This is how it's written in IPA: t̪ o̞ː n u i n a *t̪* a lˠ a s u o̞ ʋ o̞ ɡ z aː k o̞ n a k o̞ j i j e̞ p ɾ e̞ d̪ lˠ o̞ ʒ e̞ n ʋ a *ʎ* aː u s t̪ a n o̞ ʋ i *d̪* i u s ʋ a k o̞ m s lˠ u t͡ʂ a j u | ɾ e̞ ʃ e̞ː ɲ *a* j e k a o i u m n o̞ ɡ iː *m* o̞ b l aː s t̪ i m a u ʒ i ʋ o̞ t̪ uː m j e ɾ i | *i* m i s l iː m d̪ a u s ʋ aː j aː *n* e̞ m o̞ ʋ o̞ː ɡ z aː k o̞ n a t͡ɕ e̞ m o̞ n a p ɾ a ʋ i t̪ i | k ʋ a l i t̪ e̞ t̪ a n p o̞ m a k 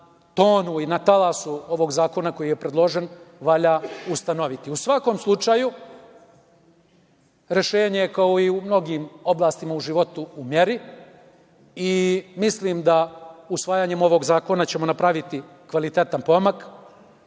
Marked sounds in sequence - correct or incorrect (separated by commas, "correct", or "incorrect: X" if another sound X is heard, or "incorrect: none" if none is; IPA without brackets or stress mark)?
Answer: correct, correct, incorrect: t̪, incorrect: e, correct, correct, incorrect: ɲ